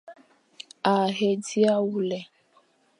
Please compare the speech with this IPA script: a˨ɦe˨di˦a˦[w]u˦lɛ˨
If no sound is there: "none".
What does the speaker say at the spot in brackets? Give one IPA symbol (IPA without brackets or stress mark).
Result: w